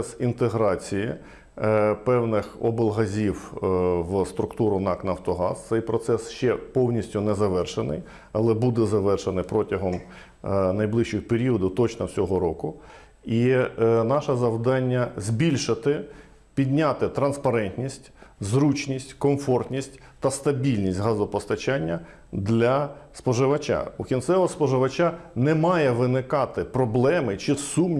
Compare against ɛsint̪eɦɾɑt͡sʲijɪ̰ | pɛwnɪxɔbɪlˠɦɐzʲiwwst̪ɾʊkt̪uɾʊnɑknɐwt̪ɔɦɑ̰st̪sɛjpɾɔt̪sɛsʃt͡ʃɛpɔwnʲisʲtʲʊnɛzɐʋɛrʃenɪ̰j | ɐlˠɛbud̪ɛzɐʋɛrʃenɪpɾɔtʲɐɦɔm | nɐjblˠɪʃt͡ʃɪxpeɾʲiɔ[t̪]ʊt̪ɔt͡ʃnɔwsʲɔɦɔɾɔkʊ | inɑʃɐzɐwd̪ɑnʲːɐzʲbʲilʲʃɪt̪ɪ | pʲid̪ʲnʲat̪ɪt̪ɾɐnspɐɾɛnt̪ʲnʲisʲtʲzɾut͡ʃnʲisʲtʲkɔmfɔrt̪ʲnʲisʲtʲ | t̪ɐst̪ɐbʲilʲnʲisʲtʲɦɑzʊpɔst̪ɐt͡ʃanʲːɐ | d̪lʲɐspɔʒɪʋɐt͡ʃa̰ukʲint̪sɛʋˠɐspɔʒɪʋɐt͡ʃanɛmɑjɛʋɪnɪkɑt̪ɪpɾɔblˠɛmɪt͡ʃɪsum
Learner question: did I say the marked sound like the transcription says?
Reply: no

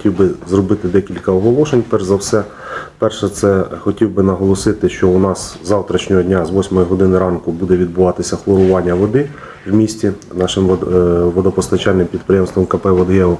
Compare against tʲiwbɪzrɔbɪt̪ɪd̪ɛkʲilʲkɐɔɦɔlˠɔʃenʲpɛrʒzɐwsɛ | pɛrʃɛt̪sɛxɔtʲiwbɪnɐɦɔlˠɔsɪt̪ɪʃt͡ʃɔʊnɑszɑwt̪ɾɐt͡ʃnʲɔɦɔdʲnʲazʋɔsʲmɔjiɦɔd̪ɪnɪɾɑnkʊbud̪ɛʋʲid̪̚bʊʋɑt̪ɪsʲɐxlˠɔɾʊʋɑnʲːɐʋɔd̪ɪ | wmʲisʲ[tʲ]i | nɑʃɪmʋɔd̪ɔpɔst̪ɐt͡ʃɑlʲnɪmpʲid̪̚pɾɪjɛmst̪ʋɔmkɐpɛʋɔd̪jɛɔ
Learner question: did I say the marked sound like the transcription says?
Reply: yes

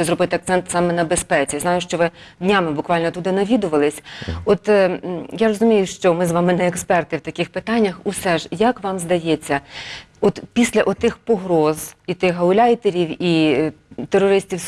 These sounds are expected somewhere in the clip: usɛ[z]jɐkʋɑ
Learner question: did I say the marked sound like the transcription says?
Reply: no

